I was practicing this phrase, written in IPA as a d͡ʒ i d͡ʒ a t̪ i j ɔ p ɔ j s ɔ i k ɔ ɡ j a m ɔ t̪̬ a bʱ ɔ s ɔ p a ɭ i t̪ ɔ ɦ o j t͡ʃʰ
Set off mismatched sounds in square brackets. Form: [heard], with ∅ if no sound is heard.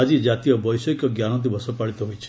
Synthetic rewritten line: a d͡ʒ i d͡ʒ a t̪ i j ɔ [b] ɔ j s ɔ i k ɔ ɡ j a [n] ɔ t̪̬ [i] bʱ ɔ s ɔ p a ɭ i t̪ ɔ ɦ o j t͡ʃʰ